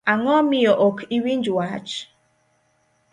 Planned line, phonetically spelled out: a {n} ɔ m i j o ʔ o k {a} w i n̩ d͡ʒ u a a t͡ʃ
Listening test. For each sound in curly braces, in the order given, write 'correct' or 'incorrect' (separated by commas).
incorrect, incorrect